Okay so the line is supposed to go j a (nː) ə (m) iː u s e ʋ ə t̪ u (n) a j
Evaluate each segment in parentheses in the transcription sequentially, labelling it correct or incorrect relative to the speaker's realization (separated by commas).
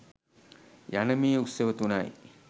incorrect, correct, correct